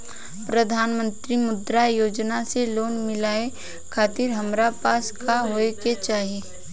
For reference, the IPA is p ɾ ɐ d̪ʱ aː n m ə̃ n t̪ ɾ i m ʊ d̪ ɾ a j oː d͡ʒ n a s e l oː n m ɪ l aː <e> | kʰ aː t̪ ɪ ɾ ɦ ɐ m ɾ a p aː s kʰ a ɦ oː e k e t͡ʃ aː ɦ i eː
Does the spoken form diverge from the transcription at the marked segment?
no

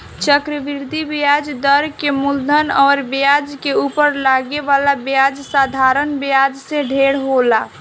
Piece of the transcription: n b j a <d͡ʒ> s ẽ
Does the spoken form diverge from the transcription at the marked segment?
no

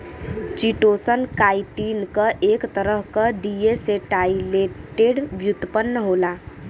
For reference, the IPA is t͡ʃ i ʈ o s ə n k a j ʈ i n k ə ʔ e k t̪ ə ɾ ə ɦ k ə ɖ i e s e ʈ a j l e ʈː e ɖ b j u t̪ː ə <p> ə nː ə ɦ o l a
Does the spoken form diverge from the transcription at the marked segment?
no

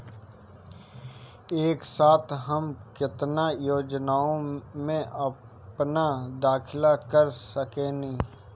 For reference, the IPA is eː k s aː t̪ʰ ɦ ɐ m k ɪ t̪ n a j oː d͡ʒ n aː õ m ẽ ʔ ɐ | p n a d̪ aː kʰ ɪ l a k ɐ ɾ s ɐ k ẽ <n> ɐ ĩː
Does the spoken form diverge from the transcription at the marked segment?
no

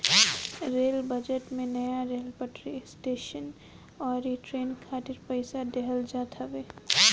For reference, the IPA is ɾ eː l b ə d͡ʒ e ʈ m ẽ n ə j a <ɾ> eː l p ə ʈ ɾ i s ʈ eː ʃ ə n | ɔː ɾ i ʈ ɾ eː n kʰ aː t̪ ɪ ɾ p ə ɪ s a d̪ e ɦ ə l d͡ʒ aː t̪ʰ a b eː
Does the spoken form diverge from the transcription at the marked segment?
no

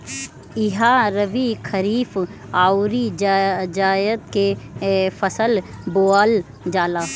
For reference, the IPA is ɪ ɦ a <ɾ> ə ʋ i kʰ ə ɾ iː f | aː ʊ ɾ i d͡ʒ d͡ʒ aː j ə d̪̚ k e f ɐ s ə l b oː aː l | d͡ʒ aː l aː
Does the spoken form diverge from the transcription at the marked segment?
no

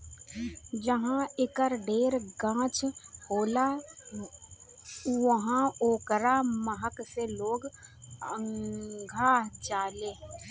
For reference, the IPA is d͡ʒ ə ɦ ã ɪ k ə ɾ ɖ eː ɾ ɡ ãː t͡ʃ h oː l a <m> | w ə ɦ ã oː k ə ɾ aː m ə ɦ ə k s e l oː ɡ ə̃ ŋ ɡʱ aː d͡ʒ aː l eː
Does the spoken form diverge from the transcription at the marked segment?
yes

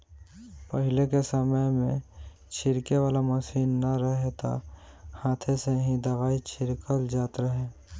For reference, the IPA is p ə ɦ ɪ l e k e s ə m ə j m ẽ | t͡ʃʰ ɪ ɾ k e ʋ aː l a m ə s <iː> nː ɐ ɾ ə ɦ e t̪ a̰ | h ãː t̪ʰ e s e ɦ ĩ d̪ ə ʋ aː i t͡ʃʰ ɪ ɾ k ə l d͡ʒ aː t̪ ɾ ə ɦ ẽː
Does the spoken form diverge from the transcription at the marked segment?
no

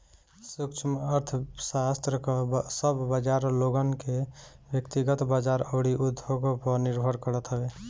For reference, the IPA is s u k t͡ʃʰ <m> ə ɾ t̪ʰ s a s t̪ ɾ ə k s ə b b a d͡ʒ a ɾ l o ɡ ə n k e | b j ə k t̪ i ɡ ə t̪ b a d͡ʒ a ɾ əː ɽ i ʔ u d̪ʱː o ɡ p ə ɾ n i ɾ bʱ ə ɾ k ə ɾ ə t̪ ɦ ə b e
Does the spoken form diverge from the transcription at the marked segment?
no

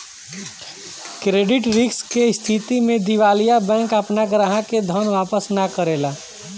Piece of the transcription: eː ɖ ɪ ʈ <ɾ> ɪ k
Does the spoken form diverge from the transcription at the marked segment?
no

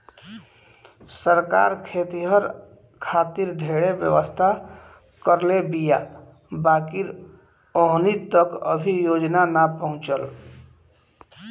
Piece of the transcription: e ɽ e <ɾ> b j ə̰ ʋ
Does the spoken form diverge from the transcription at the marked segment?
yes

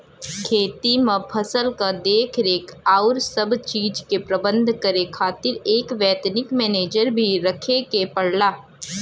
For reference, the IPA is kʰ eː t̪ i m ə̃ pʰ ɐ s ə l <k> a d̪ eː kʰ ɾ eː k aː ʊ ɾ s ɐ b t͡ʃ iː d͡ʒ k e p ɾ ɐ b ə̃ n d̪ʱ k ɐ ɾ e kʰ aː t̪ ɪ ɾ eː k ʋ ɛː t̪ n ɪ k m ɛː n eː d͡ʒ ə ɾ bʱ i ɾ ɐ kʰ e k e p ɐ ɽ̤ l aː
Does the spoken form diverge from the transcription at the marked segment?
no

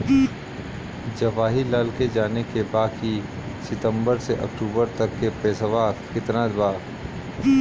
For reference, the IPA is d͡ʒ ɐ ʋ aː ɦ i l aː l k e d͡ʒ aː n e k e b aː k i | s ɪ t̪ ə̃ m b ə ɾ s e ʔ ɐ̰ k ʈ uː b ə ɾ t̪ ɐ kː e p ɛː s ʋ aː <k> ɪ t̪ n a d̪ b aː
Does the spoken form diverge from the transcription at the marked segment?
no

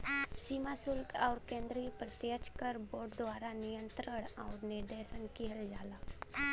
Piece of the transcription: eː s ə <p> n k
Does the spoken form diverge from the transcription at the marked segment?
yes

